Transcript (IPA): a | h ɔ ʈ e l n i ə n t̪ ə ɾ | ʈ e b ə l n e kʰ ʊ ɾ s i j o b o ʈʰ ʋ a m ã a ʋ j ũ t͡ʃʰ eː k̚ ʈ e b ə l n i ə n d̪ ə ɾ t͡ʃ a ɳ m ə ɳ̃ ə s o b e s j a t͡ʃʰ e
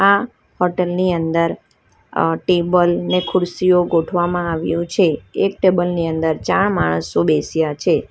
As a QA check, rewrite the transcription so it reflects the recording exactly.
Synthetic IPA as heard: a | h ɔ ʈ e l n i ə n d̪ ə ɾ | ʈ e b ə l n e kʰ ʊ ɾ s i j o ɡ o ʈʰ ʋ a m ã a ʋ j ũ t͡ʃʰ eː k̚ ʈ e b ə l n i ə n d̪ ə ɾ t͡ʃ a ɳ m a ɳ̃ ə s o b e s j a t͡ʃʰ e